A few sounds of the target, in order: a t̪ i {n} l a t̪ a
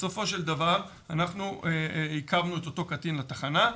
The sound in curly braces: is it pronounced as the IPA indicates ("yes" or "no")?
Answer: yes